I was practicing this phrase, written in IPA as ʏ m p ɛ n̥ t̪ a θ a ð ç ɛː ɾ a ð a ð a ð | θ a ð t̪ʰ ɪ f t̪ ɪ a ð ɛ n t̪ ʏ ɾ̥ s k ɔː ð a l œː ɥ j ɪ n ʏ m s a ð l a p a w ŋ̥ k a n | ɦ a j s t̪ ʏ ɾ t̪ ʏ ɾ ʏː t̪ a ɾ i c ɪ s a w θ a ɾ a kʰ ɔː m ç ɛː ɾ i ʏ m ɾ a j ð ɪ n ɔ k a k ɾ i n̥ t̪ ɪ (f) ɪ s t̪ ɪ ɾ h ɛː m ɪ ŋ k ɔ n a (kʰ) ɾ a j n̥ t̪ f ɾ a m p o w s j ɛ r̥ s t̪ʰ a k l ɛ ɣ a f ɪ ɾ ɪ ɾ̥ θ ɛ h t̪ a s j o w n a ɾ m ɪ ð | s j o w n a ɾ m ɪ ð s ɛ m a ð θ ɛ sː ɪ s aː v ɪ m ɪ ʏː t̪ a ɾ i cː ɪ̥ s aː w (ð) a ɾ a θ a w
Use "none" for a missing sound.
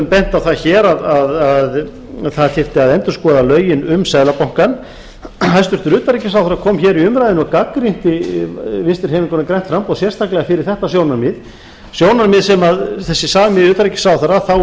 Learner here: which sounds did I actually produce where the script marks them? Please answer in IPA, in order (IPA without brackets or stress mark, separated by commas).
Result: v, k, θ